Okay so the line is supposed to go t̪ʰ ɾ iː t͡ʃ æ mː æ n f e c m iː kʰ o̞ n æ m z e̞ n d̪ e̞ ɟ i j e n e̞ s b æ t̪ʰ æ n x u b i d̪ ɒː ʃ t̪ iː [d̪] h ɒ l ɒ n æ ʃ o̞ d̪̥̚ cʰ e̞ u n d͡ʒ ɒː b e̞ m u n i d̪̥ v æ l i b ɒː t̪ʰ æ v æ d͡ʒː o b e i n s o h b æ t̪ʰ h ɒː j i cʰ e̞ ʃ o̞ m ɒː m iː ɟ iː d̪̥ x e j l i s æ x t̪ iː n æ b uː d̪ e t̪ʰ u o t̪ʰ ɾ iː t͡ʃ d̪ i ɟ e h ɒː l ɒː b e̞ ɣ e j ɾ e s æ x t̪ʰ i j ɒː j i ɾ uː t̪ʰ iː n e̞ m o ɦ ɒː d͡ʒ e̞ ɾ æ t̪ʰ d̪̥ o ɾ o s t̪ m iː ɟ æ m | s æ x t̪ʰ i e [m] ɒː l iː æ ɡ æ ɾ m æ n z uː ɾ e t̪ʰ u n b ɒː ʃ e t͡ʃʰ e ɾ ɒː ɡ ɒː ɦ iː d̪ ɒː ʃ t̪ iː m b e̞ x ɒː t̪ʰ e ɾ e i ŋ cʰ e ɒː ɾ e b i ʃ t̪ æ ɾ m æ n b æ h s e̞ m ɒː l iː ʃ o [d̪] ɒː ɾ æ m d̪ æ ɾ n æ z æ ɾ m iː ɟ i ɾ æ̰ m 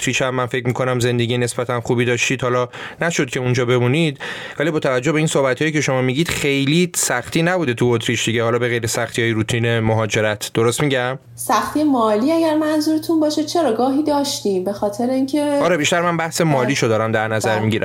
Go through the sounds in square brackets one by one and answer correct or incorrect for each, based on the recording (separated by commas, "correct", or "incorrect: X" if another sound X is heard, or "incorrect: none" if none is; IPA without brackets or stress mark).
correct, correct, correct